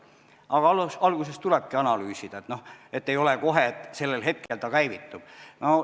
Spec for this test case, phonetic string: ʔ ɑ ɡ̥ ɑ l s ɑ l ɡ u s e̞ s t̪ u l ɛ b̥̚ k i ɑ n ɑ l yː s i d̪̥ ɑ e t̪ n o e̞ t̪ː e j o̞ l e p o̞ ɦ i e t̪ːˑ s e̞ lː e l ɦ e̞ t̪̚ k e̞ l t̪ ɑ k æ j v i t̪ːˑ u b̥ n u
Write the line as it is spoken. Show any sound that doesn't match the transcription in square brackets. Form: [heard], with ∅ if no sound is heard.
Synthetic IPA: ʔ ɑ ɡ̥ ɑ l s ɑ l ɡ u s e̞ s t̪ u l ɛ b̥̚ k i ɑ n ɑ l yː s i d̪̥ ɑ e t̪ n o e̞ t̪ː e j o̞ l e [k] o̞ ɦ [e] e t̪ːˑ s e̞ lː e l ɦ e̞ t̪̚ k e̞ l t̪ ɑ k æ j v i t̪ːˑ u b̥ n [o]